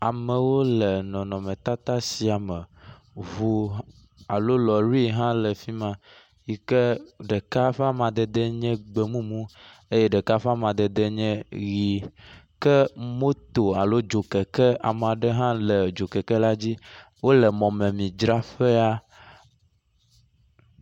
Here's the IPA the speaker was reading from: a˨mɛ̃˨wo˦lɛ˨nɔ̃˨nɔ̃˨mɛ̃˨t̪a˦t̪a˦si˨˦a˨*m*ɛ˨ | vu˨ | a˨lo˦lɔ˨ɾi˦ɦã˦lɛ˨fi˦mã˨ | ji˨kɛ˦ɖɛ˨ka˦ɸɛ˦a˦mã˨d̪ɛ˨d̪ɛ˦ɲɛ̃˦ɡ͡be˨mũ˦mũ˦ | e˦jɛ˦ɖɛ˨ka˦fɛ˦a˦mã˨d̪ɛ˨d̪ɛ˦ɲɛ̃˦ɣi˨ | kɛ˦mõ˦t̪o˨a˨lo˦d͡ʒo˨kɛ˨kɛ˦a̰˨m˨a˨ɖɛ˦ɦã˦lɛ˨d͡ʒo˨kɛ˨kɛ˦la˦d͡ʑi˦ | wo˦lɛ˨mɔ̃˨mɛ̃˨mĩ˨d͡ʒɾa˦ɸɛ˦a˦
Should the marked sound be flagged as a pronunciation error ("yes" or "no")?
no